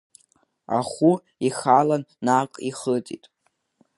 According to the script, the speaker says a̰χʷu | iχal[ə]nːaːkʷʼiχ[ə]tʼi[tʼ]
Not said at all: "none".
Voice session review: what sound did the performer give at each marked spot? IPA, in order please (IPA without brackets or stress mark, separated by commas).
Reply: a, ə, tʼ